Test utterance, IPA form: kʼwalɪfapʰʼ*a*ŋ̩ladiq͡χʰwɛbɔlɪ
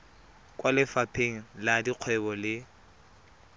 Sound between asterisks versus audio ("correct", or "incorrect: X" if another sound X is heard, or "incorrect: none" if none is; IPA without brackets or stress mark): incorrect: e